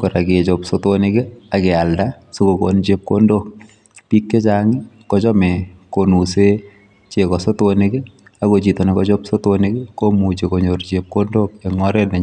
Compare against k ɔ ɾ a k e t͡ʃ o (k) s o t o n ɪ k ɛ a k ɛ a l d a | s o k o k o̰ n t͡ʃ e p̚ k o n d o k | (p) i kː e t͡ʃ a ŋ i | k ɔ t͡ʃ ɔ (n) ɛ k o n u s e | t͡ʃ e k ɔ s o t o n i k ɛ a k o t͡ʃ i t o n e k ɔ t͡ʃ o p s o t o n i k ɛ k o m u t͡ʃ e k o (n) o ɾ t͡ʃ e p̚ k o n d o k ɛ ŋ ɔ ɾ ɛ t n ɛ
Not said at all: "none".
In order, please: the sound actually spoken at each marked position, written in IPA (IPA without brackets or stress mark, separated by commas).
p, p, m, ɲ